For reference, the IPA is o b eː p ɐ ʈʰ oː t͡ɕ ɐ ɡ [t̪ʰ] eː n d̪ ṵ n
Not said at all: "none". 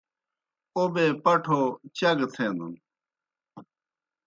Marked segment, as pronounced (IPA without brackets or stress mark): t̪ʰ